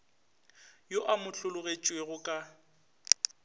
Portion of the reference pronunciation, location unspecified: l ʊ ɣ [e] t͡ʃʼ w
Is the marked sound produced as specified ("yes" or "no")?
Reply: yes